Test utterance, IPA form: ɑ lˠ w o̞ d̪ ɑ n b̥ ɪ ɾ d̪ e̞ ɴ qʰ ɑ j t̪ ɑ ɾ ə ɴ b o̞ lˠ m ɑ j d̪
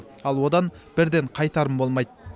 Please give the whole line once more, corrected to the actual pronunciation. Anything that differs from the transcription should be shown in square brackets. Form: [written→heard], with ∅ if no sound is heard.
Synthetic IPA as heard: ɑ lˠ w o̞ d̪ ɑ n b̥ ɪ ɾ d̪ e̞ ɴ qʰ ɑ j t̪ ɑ ɾ ə [ɴ→m] b o̞ lˠ m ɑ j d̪